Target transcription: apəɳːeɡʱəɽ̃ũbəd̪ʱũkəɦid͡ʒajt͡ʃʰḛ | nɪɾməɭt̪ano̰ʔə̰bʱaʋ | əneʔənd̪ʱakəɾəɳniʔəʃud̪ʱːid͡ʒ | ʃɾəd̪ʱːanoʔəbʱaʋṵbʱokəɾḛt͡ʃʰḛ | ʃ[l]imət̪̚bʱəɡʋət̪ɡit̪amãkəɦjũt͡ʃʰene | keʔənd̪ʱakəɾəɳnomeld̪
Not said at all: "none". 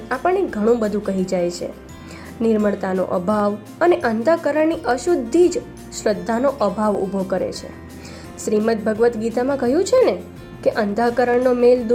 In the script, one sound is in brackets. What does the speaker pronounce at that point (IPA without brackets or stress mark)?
ɾ